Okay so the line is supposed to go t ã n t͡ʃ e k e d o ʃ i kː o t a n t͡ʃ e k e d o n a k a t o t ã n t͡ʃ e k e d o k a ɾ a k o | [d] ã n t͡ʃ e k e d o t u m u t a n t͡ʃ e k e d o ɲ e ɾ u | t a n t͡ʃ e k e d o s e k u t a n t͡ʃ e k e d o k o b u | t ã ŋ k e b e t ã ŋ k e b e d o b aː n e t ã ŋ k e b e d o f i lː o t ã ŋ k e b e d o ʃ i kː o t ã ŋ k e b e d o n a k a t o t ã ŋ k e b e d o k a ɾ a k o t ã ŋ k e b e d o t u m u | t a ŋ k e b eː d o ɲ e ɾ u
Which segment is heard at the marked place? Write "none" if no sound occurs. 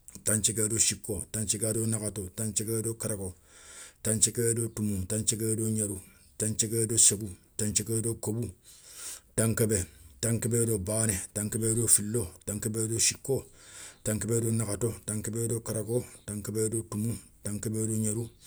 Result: t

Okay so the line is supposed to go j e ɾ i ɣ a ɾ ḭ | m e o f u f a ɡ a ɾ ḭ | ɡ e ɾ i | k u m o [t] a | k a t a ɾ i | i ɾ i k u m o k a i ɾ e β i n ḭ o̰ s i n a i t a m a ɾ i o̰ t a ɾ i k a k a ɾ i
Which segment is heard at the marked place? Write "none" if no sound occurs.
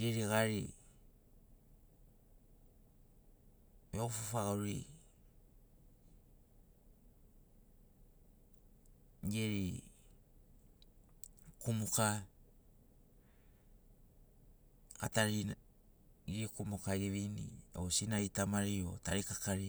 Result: k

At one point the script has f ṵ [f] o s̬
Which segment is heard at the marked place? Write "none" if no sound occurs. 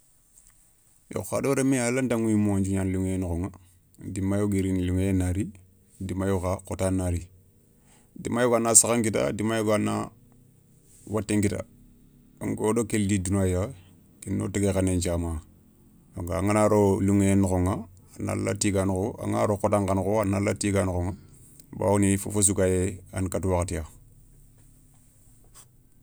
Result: f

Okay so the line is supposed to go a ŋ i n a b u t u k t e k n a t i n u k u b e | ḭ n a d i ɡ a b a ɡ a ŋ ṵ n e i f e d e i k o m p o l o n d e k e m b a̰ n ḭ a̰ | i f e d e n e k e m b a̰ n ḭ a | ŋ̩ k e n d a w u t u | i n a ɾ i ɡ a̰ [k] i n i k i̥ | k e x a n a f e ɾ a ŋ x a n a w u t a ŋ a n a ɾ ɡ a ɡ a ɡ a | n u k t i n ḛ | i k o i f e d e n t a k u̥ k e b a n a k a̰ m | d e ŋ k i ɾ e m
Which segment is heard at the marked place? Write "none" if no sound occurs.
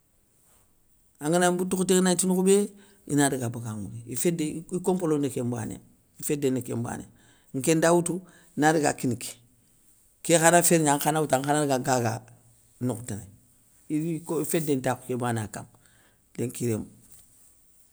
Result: k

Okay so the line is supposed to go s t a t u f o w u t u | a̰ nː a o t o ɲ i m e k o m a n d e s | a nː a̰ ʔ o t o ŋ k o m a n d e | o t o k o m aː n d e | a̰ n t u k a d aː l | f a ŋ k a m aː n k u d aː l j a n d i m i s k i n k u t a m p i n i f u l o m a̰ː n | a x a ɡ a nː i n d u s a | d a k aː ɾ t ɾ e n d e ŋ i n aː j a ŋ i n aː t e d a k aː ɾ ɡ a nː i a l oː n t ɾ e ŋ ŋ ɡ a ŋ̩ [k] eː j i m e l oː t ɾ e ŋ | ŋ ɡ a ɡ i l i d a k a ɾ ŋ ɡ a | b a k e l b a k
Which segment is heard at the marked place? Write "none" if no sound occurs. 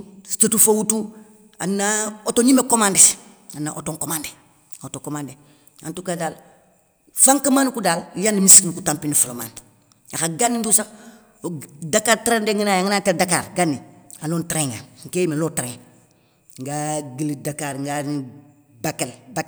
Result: k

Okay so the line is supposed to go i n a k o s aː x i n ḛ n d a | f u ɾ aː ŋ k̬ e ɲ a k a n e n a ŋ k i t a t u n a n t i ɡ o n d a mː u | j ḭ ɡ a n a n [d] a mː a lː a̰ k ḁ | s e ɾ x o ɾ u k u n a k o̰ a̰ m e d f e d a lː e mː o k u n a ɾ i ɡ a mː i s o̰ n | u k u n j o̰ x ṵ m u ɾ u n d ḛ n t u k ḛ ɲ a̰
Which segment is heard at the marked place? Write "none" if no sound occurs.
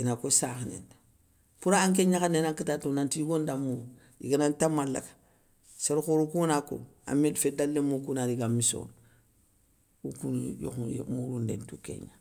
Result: t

